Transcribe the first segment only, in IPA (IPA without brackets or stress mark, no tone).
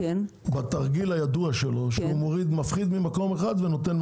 b